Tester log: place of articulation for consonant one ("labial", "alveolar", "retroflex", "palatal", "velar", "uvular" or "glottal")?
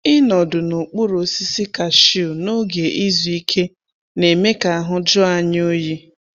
alveolar